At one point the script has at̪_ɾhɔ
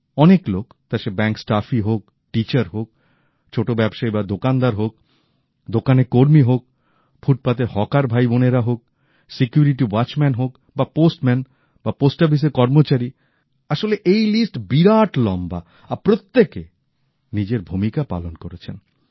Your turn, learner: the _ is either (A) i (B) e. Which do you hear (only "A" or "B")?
B